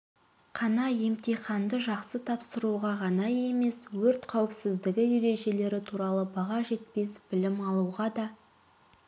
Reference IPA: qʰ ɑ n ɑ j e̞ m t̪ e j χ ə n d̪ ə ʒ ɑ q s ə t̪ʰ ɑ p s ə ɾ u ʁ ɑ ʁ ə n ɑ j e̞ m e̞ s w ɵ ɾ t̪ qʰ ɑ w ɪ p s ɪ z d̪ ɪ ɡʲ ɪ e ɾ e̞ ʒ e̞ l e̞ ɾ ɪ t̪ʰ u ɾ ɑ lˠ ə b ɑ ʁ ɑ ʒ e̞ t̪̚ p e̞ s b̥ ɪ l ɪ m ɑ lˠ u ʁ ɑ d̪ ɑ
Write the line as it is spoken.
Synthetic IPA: qʰ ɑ n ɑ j e̞ m t̪ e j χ ɑ n d̪ ə ʒ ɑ q s ə t̪ʰ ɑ p s ə ɾ u ʁ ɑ ʁ ɑ n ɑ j e̞ m e̞ s w ɵ ɾ t̪ qʰ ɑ w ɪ p s ɪ z d̪ ɪ ɡʲ ɪ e ɾ e̞ ʒ e̞ l e̞ ɾ ɪ t̪ʰ u ɾ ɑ lˠ ə b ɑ ʁ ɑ ʒ e̞ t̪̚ p e̞ s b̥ ɪ l ɪ m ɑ lˠ u ʁ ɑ d̪ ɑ